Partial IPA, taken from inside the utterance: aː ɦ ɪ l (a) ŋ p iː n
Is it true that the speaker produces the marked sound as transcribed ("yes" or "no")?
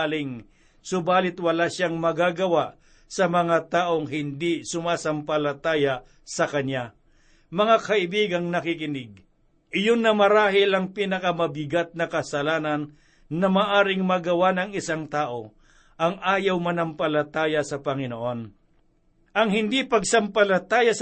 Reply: no